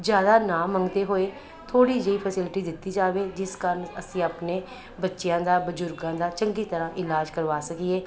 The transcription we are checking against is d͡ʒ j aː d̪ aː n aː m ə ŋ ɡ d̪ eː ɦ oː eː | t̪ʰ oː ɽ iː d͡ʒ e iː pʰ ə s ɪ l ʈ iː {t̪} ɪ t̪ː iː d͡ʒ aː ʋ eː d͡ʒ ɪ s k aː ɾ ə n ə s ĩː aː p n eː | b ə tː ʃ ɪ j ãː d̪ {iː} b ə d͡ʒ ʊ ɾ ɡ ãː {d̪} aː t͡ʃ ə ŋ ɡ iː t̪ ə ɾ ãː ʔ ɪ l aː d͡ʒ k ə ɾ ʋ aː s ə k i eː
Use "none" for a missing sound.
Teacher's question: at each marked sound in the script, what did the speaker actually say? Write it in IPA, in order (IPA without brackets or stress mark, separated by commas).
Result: d̪, aː, d̪